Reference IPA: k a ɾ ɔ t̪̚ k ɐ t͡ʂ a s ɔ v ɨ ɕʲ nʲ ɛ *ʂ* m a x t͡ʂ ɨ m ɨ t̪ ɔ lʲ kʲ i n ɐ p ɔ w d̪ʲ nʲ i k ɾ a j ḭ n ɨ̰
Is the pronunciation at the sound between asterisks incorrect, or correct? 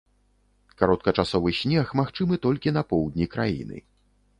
incorrect: x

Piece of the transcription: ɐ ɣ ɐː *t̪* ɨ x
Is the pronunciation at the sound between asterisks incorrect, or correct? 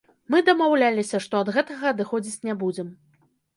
incorrect: d̪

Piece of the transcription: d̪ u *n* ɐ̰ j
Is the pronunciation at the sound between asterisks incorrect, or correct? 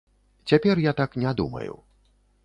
incorrect: m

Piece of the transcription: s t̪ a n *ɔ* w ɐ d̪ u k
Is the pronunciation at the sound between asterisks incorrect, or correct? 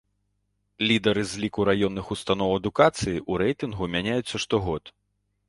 correct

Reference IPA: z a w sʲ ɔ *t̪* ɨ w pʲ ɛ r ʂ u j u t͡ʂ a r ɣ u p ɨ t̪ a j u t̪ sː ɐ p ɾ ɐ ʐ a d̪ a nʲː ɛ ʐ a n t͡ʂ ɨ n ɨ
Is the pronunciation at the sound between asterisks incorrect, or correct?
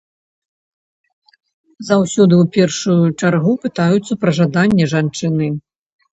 incorrect: d̪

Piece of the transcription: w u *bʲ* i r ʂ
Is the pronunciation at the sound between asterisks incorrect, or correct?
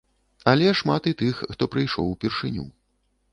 incorrect: pʲ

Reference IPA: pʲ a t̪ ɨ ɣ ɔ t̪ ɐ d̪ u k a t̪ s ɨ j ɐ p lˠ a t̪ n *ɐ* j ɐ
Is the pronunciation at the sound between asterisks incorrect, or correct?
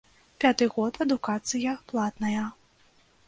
correct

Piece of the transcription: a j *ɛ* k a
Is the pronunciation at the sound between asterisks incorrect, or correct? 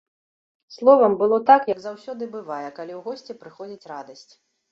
correct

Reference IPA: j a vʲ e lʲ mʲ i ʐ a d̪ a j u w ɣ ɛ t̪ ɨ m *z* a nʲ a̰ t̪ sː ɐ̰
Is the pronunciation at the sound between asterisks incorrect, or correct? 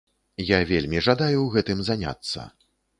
correct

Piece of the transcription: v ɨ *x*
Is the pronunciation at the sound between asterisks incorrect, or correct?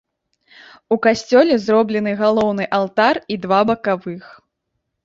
correct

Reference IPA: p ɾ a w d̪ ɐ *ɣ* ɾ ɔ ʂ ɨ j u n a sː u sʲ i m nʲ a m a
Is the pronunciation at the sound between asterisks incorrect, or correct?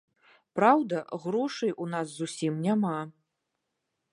correct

